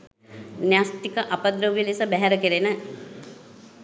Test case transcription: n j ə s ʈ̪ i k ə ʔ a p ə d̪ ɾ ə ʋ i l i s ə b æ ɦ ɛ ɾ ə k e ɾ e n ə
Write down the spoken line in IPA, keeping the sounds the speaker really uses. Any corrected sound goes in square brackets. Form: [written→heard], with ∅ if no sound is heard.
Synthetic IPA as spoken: n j [ə→a] s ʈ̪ i k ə ʔ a p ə d̪ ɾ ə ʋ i l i s ə b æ ɦ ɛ ɾ ə k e ɾ e n ə